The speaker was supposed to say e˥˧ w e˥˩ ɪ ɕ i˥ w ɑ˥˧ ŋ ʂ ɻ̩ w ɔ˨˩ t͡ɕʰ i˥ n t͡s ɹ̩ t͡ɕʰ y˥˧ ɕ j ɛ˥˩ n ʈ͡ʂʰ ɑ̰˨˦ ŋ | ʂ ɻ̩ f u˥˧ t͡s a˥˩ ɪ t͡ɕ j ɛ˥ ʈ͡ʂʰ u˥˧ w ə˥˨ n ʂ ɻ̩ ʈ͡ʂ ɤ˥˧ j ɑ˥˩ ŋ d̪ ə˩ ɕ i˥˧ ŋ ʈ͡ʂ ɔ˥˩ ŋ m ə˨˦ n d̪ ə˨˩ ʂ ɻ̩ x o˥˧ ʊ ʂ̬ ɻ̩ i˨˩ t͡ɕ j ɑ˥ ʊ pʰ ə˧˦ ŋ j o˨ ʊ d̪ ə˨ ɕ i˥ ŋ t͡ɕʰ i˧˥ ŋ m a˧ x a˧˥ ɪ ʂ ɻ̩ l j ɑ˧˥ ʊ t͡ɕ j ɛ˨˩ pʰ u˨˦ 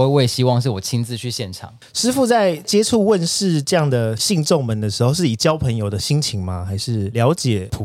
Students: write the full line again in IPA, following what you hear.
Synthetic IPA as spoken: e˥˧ w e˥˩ ɪ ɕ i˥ w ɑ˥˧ ŋ ʂ ɻ̩ w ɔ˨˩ t͡ɕʰ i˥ n t͡s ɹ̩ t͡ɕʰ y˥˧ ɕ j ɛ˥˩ n ʈ͡ʂʰ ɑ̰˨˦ ŋ | ʂ ɻ̩ f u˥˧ t͡s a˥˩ ɪ t͡ɕ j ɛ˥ ʈ͡ʂʰ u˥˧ w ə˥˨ n ʂ ɻ̩ ʈ͡ʂ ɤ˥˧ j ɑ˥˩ ŋ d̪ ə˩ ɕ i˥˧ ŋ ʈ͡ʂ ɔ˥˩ ŋ m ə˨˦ n d̪ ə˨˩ ʂ ɻ̩ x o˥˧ ʊ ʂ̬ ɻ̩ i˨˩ t͡ɕ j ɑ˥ ʊ pʰ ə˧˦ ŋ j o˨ ʊ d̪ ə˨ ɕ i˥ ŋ t͡ɕʰ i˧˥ ŋ m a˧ x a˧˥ ɪ ʂ ɻ̩ l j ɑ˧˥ ʊ t͡ɕ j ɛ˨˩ pʰ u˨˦